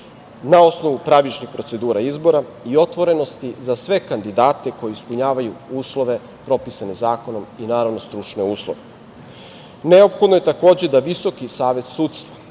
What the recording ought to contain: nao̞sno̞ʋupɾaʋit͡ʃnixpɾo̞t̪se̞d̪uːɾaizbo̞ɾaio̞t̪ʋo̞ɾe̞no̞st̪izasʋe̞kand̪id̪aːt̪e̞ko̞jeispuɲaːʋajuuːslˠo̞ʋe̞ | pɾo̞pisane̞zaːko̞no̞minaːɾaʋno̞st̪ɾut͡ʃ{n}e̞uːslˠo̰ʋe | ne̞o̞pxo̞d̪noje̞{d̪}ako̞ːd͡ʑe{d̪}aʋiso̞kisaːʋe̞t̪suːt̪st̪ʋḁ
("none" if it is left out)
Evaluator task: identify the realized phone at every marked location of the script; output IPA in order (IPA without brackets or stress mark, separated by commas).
n, t̪, d̪